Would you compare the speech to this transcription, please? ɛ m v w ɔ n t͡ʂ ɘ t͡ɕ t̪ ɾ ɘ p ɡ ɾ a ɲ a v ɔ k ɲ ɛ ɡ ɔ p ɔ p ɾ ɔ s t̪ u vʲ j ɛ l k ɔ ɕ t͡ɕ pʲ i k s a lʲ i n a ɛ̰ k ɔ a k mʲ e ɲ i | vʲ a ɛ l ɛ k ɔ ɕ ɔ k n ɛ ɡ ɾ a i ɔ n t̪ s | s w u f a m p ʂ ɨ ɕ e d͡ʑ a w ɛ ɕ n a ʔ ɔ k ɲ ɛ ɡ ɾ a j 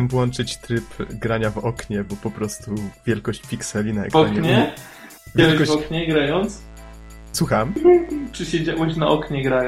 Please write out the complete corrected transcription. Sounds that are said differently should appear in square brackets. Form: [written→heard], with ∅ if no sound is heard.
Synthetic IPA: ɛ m v w ɔ n t͡ʂ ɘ t͡ɕ t̪ ɾ ɘ p ɡ ɾ a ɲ a v ɔ k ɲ ɛ [ɡ→b] ɔ p ɔ p ɾ ɔ s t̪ u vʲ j ɛ l k ɔ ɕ t͡ɕ pʲ i k s [a→ɛ] lʲ i n a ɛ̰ k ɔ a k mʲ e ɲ [i→ɛ] | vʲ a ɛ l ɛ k ɔ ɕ ɔ k [n→ɲ] ɛ ɡ ɾ a [i→j] ɔ n t̪ s | s w u [f→x] a m p ʂ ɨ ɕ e d͡ʑ a w ɛ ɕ n a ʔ ɔ k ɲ ɛ ɡ ɾ a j